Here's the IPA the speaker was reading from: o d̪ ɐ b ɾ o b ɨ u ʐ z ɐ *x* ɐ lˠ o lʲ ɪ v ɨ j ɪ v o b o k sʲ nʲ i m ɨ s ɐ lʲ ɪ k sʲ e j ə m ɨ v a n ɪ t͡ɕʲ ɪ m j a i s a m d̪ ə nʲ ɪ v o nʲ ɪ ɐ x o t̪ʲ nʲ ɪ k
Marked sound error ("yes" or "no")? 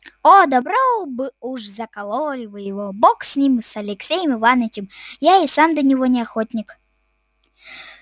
yes